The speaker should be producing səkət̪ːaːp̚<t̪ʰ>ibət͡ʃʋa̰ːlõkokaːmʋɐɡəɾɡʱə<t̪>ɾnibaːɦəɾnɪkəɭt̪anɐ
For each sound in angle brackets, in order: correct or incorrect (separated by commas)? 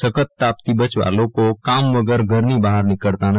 incorrect, incorrect